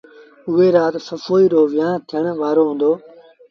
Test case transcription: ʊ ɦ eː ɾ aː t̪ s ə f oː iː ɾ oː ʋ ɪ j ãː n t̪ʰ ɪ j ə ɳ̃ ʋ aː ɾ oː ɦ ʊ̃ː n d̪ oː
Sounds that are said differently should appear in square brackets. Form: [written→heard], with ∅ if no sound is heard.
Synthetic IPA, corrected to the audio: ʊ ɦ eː ɾ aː t̪ s ə f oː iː ɾ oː ʋ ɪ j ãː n t̪ʰ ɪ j ə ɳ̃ ʋ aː ɾ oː ɦ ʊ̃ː n d̪ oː